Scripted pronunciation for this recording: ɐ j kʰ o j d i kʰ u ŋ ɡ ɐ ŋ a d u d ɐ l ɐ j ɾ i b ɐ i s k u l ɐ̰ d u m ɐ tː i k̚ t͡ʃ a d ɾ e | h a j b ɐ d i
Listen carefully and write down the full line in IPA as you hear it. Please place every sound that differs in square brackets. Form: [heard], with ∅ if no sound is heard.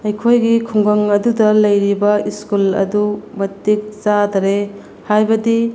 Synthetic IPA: ɐ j kʰ o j [ɡ] i kʰ u ŋ ɡ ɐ ŋ [ɐ] d u d ɐ l ɐ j ɾ i b ɐ i s k u l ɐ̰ d u m ɐ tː i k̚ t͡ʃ a d ɾ e | h a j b ɐ d i